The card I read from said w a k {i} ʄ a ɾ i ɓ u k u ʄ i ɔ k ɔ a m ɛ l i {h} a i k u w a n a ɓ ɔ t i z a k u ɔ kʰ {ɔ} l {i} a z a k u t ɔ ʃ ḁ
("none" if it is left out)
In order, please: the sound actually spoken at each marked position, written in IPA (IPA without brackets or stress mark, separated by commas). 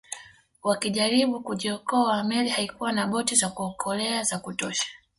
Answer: i, h, ɔ, ɛ